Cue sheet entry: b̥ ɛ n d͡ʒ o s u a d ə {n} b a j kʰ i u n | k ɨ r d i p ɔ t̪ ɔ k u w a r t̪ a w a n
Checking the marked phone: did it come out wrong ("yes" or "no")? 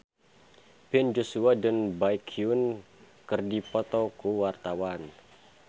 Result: no